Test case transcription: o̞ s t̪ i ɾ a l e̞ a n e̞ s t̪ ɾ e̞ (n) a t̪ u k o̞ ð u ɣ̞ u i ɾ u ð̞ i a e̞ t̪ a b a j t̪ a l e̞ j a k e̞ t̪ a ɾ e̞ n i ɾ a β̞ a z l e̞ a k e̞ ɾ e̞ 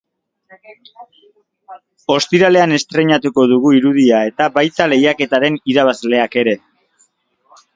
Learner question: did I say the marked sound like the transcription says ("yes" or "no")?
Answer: no